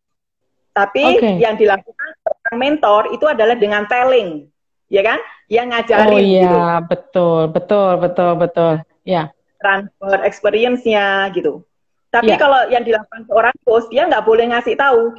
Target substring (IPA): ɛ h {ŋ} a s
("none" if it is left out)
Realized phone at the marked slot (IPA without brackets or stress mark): ŋ